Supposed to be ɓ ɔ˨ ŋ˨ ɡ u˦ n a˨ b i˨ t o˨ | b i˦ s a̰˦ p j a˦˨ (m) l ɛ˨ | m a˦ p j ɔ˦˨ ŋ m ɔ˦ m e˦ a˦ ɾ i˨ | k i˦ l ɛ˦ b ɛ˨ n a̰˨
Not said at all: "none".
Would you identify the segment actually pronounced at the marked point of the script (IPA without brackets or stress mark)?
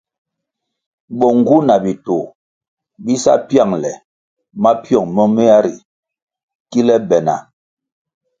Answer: ŋ